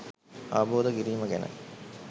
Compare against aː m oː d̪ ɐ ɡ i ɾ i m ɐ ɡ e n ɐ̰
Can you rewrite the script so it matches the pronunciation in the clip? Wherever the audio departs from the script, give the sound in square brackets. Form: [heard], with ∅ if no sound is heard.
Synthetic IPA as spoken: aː [b] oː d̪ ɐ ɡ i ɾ [iː] m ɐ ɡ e n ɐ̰